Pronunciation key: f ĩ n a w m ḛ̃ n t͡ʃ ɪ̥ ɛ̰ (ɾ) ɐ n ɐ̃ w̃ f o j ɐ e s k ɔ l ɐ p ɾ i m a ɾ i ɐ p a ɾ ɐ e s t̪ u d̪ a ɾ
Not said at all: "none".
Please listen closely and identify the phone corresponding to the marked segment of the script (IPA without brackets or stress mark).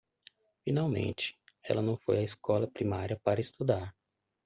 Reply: l